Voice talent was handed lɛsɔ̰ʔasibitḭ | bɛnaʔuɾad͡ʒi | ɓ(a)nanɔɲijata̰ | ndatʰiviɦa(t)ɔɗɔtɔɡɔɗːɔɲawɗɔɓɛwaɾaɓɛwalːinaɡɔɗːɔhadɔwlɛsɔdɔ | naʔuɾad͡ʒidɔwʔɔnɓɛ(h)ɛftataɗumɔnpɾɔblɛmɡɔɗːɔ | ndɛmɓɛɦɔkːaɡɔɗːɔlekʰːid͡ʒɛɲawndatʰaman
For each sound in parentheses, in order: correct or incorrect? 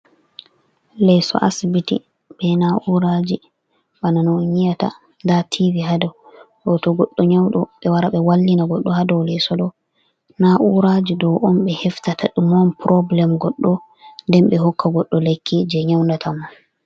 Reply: correct, incorrect, correct

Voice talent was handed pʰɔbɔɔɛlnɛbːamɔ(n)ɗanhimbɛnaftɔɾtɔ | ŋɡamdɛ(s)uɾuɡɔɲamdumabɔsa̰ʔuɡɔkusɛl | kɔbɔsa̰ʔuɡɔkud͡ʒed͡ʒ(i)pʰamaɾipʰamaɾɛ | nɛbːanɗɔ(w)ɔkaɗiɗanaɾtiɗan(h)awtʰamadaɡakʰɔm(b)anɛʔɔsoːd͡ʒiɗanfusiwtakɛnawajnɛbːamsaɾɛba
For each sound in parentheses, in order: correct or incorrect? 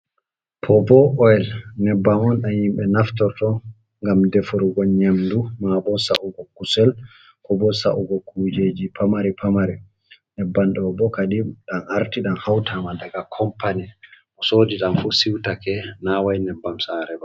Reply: correct, incorrect, correct, incorrect, correct, incorrect

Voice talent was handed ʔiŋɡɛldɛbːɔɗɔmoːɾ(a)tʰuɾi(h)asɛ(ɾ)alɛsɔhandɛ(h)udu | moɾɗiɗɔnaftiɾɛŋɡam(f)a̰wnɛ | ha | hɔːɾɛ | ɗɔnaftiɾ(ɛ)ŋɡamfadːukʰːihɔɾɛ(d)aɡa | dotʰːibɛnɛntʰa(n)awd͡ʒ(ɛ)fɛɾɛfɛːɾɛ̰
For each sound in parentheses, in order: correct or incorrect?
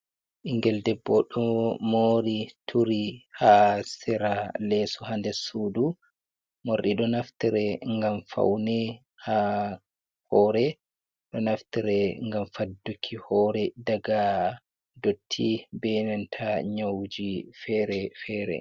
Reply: incorrect, correct, correct, incorrect, correct, correct, correct, incorrect, incorrect

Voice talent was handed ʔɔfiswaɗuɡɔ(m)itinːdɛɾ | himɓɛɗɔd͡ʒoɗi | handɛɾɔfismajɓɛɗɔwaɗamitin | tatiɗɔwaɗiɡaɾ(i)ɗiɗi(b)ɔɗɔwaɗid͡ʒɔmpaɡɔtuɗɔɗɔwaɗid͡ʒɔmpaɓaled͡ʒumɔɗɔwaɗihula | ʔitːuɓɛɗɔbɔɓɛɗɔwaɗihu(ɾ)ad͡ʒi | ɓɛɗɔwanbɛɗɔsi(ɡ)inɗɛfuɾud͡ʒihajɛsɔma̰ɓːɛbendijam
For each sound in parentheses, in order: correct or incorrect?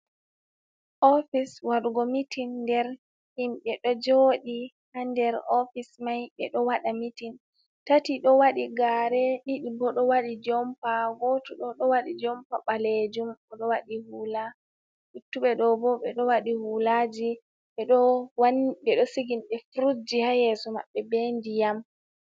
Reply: correct, incorrect, correct, incorrect, correct

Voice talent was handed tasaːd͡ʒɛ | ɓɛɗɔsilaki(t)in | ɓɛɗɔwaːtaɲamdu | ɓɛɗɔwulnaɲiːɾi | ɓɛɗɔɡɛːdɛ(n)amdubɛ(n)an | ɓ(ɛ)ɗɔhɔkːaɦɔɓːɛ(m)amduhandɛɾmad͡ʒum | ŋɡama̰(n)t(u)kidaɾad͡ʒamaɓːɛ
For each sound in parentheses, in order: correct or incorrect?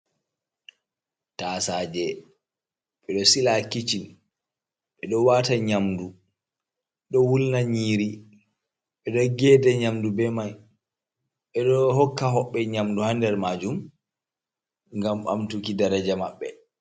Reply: incorrect, incorrect, incorrect, correct, incorrect, incorrect, correct

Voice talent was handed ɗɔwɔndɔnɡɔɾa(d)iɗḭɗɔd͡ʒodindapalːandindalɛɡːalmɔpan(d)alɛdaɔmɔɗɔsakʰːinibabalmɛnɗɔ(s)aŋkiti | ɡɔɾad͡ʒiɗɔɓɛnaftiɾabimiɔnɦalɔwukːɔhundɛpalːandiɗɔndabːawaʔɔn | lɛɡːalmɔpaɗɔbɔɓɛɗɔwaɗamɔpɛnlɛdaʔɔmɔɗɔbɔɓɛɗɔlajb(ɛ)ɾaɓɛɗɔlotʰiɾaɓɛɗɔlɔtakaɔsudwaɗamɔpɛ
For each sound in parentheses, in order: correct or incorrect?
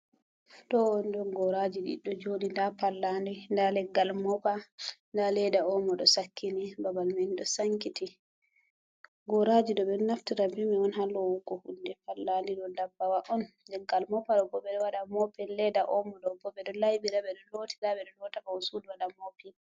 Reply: incorrect, correct, correct, incorrect

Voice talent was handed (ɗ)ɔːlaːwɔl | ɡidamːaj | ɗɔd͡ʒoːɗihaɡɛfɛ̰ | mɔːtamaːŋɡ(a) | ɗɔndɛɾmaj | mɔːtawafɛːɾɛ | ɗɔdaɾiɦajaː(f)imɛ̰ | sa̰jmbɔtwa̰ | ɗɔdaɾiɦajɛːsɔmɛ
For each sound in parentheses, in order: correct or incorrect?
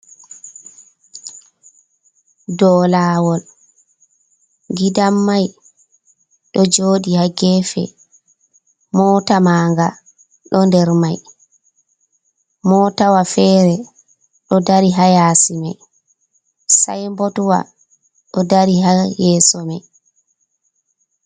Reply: incorrect, correct, incorrect

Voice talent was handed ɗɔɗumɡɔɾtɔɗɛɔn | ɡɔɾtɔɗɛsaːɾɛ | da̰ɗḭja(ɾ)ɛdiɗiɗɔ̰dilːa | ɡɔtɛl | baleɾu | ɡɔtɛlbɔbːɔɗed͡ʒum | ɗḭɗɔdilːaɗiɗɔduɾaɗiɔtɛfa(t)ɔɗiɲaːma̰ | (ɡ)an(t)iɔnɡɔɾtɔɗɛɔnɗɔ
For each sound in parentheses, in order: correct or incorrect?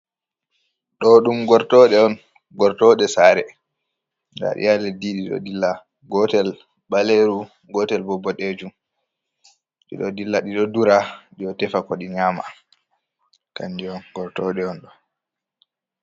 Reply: incorrect, incorrect, incorrect, incorrect

